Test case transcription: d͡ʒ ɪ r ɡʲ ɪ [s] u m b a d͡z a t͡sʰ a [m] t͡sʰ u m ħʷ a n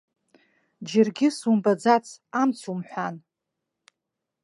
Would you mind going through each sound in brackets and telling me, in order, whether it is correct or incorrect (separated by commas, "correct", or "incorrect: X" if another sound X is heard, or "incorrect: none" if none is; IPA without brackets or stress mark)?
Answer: correct, correct